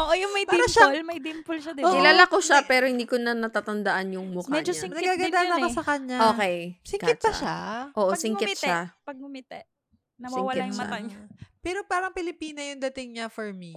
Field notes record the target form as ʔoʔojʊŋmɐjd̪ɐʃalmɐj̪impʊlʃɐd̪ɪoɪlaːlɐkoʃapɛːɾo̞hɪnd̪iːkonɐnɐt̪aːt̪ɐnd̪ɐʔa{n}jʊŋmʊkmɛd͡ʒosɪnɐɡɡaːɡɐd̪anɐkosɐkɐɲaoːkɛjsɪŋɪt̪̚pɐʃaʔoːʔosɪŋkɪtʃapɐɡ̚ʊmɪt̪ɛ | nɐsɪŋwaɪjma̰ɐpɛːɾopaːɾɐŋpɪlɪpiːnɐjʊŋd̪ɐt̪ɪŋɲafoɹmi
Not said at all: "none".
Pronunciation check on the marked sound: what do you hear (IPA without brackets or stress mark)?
n